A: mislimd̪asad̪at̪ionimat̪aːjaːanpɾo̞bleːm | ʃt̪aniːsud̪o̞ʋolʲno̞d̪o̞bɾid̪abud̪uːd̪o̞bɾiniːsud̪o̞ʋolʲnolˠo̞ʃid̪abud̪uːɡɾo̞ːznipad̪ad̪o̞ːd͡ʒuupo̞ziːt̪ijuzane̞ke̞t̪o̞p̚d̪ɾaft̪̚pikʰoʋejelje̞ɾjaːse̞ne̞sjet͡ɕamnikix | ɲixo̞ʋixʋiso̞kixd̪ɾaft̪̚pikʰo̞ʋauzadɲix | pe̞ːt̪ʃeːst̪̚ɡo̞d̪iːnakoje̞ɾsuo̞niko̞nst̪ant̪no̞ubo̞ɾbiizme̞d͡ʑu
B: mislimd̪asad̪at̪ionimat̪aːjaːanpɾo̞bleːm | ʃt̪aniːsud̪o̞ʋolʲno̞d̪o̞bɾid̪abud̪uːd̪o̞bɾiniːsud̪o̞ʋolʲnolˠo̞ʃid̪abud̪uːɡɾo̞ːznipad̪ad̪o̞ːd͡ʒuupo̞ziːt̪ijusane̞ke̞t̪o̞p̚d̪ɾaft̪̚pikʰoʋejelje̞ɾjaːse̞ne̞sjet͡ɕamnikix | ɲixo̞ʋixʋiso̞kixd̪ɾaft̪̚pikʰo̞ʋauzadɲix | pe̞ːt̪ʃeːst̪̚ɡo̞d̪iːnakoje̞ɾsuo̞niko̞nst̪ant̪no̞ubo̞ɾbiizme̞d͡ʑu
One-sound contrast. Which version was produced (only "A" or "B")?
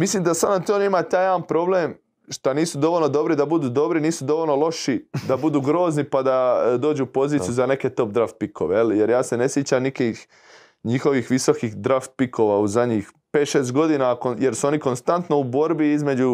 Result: A